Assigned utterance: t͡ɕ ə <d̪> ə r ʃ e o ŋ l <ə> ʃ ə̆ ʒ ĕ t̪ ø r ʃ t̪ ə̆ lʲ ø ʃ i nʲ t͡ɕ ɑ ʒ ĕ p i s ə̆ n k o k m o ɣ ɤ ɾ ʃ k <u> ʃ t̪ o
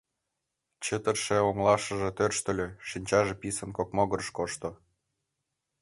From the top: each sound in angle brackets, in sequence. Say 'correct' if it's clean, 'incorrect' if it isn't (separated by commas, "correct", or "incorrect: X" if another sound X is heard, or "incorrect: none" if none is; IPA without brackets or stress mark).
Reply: incorrect: t̪, incorrect: ɑ, incorrect: o